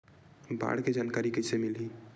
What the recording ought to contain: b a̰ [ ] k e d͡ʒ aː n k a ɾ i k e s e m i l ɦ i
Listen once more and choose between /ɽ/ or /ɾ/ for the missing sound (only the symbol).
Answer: ɽ